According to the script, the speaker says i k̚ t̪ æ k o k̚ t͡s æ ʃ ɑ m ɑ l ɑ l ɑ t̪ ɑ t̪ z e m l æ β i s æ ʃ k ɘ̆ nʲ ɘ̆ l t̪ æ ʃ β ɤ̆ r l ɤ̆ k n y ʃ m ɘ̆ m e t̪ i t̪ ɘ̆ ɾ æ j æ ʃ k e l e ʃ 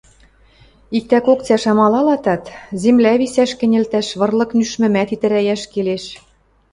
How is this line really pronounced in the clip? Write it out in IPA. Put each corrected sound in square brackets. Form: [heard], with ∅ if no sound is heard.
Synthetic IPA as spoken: i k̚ t̪ æ k o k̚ t͡s æ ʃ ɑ m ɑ l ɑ l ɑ t̪ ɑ t̪ z e m l æ β i s æ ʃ k ɘ̆ nʲ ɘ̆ l t̪ æ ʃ β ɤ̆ r l ɤ̆ k n y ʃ m ɘ̆ m [æ] t̪ i t̪ ɘ̆ ɾ æ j æ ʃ k e l e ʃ